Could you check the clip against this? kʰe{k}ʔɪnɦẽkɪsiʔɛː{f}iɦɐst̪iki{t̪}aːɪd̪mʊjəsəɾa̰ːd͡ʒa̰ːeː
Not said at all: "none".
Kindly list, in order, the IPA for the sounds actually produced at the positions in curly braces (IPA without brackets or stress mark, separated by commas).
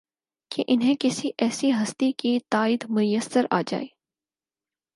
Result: none, s, t̪